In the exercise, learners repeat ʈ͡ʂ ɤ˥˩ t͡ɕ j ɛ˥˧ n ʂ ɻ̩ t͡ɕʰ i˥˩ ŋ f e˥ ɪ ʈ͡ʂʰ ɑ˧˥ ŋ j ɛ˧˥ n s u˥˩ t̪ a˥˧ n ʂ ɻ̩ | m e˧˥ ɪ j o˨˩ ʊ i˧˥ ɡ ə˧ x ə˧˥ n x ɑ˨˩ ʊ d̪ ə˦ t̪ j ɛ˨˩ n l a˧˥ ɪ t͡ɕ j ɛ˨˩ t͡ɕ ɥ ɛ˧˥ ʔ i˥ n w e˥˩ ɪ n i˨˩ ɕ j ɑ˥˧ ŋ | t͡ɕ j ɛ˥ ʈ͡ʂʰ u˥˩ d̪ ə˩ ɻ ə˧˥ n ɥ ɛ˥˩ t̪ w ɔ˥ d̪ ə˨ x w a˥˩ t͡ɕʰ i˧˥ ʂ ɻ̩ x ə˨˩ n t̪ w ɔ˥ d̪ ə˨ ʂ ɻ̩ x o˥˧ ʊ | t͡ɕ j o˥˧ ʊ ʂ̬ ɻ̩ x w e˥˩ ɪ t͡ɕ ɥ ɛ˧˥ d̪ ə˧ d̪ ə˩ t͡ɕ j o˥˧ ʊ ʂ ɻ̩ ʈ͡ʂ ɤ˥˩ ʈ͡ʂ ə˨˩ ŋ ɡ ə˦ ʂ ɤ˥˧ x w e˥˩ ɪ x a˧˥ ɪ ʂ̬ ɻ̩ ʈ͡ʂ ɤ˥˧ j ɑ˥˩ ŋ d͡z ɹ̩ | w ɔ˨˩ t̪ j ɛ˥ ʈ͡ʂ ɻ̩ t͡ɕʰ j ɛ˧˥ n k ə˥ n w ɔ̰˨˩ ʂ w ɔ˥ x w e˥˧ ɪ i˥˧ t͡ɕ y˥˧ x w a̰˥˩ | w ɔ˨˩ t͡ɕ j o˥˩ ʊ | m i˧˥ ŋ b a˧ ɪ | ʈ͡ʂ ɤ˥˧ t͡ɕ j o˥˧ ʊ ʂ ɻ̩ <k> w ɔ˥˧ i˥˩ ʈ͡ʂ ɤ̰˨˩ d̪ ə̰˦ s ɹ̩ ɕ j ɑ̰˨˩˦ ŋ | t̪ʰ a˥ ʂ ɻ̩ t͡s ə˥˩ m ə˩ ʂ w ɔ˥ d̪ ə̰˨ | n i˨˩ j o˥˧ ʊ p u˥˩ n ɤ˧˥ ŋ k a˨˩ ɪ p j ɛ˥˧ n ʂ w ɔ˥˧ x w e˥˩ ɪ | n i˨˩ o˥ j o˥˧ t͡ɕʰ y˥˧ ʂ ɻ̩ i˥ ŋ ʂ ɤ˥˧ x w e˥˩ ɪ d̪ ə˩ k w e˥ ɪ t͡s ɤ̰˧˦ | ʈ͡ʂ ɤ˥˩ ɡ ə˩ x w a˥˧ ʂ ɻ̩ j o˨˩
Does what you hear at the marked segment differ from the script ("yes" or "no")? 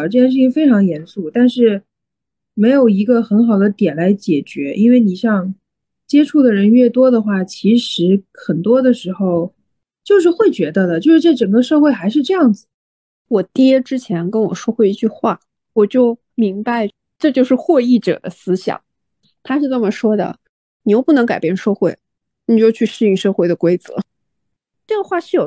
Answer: yes